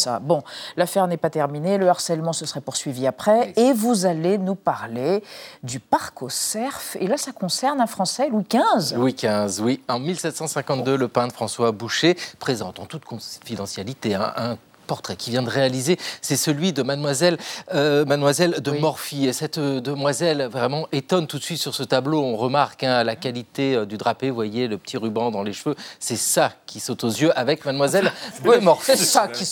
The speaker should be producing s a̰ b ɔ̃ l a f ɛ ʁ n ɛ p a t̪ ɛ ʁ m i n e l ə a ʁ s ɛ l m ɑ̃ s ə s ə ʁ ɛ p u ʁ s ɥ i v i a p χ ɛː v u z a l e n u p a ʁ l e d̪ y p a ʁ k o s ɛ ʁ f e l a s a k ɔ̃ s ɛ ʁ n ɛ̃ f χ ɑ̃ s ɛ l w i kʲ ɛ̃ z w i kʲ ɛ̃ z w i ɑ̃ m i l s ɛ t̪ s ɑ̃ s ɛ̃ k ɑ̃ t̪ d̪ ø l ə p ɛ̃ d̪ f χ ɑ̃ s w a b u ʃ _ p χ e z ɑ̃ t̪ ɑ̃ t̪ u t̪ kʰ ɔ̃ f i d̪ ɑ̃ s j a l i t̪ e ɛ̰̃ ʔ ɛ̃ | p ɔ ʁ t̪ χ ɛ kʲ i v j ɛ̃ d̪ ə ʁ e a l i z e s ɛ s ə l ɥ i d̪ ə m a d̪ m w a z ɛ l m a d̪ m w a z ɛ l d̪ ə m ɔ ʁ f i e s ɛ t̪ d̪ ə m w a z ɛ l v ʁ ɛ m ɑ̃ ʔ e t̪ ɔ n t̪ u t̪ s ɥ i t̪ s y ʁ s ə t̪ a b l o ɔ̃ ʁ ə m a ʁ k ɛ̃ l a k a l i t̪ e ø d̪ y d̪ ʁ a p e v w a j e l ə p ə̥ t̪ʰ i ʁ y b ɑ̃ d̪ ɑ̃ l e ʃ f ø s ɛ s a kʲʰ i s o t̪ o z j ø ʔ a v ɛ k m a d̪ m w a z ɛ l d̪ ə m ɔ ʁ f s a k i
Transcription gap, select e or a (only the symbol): e